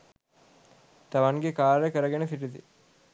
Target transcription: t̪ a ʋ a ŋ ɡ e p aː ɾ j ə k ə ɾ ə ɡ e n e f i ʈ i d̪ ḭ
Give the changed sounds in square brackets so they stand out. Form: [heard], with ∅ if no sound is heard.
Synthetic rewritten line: t̪ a ʋ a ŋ ɡ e [k] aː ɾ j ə k ə ɾ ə ɡ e n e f i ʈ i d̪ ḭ